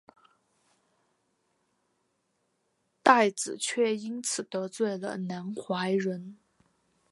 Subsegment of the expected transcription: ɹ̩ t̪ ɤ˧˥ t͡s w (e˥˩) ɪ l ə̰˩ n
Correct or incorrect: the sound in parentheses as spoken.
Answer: correct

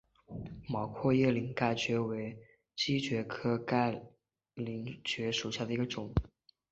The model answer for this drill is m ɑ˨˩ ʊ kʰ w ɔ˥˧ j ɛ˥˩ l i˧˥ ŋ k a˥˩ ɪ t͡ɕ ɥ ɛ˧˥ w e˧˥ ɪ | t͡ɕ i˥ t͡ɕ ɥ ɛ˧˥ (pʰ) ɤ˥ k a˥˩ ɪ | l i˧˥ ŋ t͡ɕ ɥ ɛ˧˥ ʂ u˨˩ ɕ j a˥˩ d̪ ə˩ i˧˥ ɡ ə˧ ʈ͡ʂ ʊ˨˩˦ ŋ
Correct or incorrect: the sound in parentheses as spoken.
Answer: incorrect: kʰ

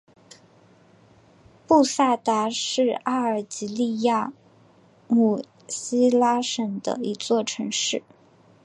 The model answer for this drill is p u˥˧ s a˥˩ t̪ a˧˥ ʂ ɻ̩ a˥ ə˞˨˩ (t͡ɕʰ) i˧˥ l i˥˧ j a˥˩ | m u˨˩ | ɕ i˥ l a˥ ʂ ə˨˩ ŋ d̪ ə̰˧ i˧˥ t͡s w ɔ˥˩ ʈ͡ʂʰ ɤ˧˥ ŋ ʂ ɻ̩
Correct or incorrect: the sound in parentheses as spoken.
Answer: incorrect: t͡ɕ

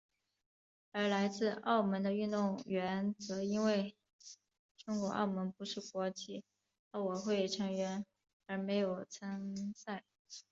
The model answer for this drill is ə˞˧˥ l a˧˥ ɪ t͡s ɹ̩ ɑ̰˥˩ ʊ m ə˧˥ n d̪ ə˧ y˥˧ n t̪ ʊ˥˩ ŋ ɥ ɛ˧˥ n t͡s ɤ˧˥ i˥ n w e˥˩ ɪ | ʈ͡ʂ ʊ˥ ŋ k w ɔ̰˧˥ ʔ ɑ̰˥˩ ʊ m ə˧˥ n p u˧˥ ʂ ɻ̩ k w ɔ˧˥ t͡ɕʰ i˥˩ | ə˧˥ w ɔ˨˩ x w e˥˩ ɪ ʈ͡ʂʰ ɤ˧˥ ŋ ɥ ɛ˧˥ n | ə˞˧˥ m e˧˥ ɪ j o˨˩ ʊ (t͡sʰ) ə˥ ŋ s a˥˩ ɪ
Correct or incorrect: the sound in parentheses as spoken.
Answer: correct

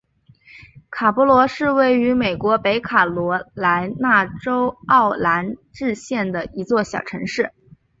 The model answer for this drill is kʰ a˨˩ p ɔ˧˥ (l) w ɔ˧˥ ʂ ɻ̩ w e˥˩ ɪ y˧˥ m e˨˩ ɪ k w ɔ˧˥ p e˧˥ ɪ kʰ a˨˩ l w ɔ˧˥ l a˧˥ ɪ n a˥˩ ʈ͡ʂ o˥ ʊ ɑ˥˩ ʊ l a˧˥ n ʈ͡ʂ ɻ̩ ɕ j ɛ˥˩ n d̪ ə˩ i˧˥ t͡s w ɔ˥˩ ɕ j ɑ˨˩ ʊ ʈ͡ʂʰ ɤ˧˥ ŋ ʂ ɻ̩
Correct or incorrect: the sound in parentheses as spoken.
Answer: correct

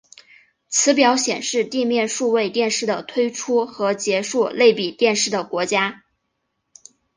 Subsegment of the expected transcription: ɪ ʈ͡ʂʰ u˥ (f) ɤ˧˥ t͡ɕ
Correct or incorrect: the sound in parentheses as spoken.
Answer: incorrect: x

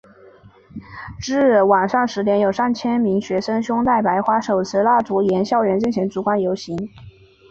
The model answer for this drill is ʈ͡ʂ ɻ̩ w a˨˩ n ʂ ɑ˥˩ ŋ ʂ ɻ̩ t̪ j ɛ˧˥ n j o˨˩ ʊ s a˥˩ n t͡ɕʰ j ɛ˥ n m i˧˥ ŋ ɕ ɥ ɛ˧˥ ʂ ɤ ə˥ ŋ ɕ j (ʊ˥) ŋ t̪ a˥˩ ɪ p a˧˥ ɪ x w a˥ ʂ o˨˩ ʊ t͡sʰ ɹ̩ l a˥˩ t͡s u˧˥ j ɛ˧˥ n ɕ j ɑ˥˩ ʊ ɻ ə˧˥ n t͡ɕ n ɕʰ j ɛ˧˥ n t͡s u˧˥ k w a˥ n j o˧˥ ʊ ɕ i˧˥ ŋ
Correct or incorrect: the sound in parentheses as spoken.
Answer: correct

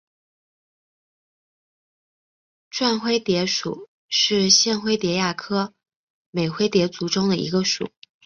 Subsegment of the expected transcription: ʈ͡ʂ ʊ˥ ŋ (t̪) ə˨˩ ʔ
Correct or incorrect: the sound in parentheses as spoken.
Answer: incorrect: d̪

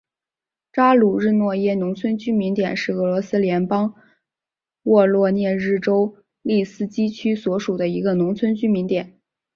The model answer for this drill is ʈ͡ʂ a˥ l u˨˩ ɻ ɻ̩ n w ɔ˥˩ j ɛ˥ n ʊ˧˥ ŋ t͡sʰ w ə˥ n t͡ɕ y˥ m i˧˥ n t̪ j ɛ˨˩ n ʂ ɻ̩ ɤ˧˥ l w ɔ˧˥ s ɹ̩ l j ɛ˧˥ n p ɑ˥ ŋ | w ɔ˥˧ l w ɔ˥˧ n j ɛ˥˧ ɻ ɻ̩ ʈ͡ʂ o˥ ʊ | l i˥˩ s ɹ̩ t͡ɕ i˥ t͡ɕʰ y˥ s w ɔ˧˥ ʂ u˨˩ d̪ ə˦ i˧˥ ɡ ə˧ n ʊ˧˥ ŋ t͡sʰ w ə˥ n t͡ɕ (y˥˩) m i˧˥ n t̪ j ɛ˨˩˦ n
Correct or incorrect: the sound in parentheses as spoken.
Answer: incorrect: y˥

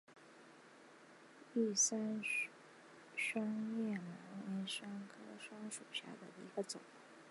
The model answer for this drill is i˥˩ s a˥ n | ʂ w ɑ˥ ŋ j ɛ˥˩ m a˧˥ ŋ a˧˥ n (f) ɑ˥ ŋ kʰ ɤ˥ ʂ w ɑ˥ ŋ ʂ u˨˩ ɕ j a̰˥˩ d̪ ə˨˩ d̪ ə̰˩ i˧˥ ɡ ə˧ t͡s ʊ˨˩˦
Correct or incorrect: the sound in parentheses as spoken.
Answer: incorrect: ʂ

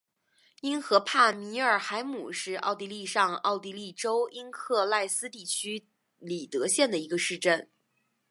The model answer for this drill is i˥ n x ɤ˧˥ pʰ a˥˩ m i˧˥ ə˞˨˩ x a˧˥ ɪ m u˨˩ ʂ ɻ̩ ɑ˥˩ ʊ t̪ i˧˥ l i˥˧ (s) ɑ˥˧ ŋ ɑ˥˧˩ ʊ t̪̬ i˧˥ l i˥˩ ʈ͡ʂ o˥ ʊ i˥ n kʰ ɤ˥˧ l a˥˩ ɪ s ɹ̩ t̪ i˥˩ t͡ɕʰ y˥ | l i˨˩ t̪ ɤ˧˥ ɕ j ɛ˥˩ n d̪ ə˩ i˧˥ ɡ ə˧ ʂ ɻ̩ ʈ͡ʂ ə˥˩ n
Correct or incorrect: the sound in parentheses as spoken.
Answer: incorrect: ʂ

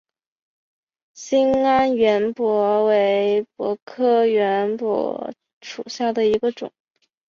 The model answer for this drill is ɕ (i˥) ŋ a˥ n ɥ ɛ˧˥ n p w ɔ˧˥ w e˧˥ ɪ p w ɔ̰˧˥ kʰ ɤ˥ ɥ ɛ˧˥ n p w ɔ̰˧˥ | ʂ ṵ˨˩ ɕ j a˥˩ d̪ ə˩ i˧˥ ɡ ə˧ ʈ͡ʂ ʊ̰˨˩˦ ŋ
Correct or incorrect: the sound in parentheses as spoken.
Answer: correct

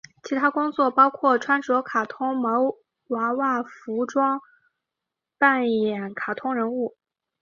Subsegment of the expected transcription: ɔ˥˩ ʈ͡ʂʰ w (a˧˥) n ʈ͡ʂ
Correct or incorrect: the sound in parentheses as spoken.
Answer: incorrect: a˥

